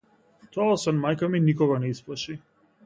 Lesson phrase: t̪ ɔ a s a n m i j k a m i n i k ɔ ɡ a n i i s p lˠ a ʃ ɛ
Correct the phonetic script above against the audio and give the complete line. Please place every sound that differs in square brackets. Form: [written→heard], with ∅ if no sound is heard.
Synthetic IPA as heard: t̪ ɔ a s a n m [i→a] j k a m i n i k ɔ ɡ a n [i→ɛ] i s p lˠ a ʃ [ɛ→i]